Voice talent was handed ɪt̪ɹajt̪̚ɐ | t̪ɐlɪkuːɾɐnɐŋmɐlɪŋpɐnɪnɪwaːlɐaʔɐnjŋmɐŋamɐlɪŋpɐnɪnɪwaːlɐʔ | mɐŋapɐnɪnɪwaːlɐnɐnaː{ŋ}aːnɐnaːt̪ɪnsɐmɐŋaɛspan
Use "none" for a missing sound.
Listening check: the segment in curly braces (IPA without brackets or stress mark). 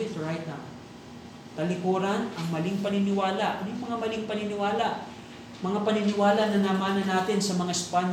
m